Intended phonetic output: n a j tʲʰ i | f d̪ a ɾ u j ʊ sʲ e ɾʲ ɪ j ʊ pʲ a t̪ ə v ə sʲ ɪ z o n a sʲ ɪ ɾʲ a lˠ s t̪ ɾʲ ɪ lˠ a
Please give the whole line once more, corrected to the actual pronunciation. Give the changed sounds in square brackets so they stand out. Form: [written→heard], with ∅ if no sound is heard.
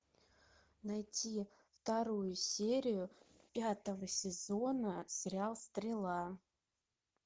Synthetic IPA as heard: n a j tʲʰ i | f [d̪→t̪] a ɾ u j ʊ sʲ e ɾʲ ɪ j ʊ pʲ a t̪ ə v ə sʲ ɪ z o n [a→ə] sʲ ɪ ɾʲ a lˠ s t̪ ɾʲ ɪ lˠ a